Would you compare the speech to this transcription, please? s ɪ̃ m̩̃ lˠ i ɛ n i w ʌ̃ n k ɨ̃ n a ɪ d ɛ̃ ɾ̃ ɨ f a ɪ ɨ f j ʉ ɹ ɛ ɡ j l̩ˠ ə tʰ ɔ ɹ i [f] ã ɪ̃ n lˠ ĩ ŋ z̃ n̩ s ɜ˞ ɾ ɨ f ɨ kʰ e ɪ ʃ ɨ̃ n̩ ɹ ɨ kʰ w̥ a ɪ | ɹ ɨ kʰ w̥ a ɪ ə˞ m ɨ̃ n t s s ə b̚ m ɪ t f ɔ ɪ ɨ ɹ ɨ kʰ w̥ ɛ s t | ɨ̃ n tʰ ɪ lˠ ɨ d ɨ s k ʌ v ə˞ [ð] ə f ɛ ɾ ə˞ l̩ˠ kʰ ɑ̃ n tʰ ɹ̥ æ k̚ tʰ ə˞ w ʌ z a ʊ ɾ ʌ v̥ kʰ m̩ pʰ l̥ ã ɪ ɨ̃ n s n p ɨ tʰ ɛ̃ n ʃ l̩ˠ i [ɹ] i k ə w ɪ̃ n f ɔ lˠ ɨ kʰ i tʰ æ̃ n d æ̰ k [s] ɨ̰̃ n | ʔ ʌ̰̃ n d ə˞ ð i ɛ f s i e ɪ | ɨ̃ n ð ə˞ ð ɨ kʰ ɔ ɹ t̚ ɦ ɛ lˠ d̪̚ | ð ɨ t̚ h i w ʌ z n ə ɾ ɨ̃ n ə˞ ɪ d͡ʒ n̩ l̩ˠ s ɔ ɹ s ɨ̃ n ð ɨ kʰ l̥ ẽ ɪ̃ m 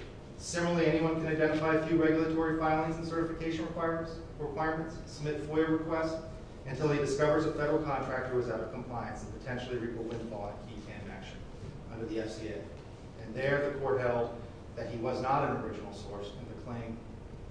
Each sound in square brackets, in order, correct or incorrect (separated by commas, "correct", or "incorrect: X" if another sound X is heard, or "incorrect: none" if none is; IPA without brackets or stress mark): correct, incorrect: z, correct, incorrect: ʃ